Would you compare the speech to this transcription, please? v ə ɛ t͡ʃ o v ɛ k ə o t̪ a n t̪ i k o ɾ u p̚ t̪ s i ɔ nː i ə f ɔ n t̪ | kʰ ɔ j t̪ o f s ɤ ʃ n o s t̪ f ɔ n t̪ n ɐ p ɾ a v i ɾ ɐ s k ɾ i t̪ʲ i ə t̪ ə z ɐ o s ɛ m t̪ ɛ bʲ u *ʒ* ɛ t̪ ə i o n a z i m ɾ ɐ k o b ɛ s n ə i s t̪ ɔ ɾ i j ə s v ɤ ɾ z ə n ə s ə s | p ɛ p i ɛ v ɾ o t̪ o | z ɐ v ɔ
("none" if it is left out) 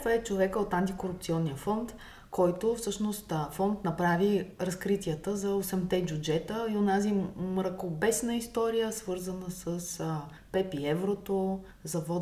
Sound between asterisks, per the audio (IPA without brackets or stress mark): d͡ʒ